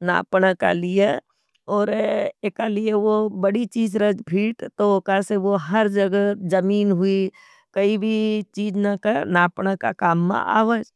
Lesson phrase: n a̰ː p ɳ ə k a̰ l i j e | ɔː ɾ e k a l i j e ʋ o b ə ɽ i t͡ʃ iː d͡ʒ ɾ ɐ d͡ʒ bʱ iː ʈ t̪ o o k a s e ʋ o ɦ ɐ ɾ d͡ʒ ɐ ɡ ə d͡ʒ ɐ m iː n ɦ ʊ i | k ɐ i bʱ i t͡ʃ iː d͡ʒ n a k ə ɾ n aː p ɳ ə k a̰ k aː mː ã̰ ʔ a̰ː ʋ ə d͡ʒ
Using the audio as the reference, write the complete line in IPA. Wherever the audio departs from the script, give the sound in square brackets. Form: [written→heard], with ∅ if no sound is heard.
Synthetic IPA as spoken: n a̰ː p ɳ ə k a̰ l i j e | ɔː ɾ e k a l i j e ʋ o b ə ɽ i t͡ʃ iː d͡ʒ ɾ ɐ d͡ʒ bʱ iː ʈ t̪ o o k a s e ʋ o ɦ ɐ ɾ d͡ʒ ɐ ɡ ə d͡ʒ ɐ m iː n ɦ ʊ i | k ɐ i bʱ i t͡ʃ iː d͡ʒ n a k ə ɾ n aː p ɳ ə k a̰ k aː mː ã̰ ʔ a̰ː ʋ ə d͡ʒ

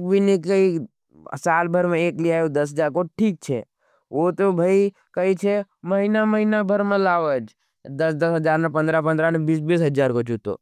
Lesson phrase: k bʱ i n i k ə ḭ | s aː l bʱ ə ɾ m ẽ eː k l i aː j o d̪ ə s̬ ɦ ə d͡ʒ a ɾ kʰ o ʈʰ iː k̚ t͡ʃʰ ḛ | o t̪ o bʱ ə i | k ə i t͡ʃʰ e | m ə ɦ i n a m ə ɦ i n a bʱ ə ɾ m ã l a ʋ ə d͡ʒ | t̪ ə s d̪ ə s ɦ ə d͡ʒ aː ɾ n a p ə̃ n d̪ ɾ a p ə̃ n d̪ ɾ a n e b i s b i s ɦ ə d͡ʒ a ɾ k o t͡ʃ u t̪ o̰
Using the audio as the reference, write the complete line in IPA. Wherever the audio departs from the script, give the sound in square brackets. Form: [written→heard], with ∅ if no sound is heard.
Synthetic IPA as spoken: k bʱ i n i k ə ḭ | s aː l bʱ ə ɾ m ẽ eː k l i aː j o d̪ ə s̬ ɦ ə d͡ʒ a ɾ [kʰ→k] o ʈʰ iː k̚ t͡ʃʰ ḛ | o t̪ o bʱ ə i | k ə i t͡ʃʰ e | m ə ɦ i n a m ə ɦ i n a bʱ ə ɾ m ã l a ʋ ə d͡ʒ | [t̪→d̪] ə s d̪ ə s ɦ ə d͡ʒ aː ɾ n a p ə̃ n d̪ ɾ a p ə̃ n d̪ ɾ a n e b i s b i s ɦ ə d͡ʒ a ɾ k o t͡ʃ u t̪ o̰

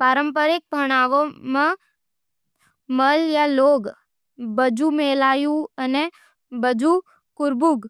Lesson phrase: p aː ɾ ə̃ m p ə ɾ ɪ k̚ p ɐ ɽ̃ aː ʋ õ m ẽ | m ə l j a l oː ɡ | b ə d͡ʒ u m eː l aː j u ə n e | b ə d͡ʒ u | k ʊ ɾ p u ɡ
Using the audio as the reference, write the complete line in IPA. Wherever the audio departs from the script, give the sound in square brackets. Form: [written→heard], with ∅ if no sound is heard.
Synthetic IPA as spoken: p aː ɾ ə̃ m p ə ɾ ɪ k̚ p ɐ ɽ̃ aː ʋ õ m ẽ | m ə l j a l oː ɡ | b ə d͡ʒ u m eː l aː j u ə n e | b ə d͡ʒ u | k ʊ ɾ [p→b] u ɡ

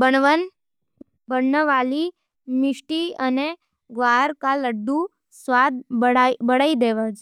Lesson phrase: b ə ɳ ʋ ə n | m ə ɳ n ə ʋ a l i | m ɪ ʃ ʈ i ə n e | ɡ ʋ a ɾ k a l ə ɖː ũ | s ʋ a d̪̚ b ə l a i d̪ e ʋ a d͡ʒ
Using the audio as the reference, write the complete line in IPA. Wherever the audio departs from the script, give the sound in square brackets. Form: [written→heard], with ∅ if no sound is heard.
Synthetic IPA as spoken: b ə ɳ ʋ ə n | [m→b] ə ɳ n ə ʋ a l i | m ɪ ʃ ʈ i ə n e | ɡ ʋ a ɾ k a l ə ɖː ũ | s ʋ a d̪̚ b ə [l→ɽ] a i d̪ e ʋ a d͡ʒ

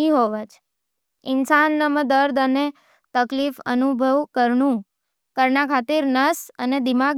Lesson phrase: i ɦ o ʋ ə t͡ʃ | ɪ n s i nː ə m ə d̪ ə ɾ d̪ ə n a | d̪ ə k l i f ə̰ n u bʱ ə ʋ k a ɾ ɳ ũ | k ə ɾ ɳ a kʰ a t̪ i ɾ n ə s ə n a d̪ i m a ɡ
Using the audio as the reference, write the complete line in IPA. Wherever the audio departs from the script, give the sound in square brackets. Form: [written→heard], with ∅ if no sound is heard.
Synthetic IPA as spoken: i ɦ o ʋ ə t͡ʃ | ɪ n s [i→a] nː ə m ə d̪ ə ɾ d̪ ə n [a→e] | [d̪→t̪] ə k l i f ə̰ n u bʱ ə ʋ k [a→ə] ɾ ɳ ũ | k ə ɾ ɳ a kʰ a t̪ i ɾ n ə s ə n [a→e] d̪ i m a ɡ

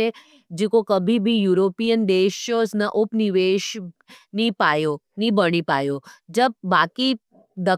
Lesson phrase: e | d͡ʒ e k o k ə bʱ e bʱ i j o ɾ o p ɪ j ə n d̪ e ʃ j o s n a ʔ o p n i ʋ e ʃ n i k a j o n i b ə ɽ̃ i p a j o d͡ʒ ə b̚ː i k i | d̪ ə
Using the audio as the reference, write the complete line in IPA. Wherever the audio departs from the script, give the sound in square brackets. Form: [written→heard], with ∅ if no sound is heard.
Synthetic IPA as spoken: e | d͡ʒ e k o k ə bʱ [e→i] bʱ i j [o→u] ɾ o p [ɪ→i] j ə n d̪ e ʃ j o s n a ʔ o p n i ʋ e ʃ n i [k→p] a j o n i b ə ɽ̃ i p a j o d͡ʒ ə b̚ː [i→a] k i | d̪ ə

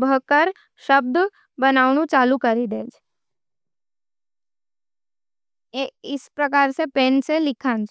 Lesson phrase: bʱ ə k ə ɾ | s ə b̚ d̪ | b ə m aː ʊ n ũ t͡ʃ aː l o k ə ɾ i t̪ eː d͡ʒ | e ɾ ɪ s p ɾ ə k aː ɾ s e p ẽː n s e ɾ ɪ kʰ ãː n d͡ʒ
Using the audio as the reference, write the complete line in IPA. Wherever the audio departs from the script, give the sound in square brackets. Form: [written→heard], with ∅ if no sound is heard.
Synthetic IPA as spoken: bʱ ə k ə ɾ | [s→ʃ] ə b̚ d̪ | b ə [m→n] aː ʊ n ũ t͡ʃ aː l [o→u] k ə ɾ i [t̪→d̪] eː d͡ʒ | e [ɾ→∅] ɪ s p ɾ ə k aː ɾ s e p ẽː n s e [ɾ→l] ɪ kʰ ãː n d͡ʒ

